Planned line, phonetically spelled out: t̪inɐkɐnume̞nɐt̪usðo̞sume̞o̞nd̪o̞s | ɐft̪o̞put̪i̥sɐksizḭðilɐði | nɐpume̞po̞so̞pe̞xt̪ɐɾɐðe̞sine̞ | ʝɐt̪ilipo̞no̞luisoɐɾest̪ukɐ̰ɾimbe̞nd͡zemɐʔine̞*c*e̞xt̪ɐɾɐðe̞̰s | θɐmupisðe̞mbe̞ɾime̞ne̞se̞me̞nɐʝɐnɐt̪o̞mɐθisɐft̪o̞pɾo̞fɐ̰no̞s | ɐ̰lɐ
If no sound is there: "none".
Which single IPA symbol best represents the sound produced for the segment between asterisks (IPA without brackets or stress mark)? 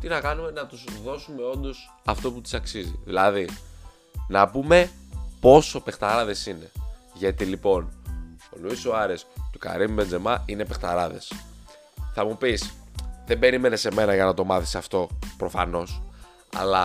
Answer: p